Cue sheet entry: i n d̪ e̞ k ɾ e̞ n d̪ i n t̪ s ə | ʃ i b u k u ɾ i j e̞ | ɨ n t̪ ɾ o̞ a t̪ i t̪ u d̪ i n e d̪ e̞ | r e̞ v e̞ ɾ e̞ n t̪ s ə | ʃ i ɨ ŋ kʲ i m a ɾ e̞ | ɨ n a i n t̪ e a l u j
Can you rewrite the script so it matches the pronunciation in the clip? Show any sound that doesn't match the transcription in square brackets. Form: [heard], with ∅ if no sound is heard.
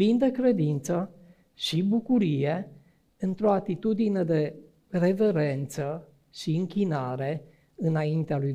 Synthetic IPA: i n d̪ e̞ k ɾ e̞ [∅] d̪ i n t̪ s ə | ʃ i b u k u ɾ i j e̞ | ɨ n t̪ ɾ o̞ a t̪ i t̪ u d̪ i n e d̪ e̞ | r e̞ v e̞ ɾ e̞ n t̪ s ə | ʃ i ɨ ŋ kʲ i [n] a ɾ e̞ | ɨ n a i n t̪ e a l u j